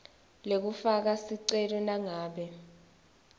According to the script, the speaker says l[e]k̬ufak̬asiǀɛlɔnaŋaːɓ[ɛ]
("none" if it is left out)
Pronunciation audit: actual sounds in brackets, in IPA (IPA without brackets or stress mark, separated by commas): e, ɛ